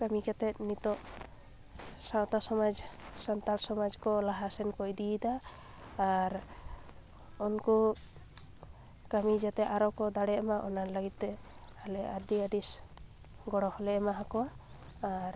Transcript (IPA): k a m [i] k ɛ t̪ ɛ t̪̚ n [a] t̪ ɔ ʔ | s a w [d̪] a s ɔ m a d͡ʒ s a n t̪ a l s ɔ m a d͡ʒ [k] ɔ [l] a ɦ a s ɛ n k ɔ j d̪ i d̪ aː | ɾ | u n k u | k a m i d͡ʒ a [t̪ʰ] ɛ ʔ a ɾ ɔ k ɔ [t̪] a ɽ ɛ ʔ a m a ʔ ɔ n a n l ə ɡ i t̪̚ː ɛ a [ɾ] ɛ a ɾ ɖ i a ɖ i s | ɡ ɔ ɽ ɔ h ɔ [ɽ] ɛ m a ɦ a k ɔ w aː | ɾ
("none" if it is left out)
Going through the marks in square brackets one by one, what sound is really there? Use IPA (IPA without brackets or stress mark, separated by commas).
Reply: i, i, t̪, k, l, t̪, d̪, l, l